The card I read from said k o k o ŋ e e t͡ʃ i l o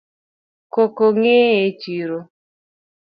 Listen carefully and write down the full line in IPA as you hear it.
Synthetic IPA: k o k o ŋ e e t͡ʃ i ɾ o